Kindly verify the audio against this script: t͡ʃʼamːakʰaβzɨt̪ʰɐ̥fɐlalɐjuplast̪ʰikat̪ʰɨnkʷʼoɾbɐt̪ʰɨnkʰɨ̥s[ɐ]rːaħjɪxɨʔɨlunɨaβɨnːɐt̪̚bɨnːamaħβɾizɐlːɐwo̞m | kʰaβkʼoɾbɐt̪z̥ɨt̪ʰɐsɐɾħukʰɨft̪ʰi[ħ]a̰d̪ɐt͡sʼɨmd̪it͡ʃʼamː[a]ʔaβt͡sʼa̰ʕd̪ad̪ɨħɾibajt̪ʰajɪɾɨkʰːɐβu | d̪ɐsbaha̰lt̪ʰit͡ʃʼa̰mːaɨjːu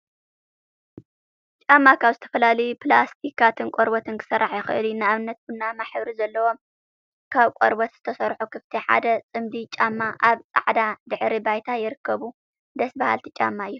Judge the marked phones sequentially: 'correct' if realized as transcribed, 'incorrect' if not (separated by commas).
correct, correct, correct